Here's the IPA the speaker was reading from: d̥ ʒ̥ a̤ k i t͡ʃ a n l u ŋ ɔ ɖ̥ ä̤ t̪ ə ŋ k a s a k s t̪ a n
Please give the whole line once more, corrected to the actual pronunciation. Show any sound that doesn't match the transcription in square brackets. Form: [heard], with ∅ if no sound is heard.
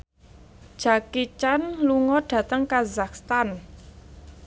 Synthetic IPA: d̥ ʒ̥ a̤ k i t͡ʃ a n l u ŋ ɔ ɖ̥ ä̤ t̪ ə ŋ k a [z] a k s t̪ a n